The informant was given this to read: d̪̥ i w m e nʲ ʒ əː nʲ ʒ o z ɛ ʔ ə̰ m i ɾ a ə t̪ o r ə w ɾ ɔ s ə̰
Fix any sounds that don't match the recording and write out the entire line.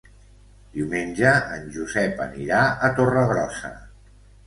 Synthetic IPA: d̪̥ i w m e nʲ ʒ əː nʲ ʒ u z ɛ p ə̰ n i ɾ a ə t̪ o r ə ɣ ɾ ɔ s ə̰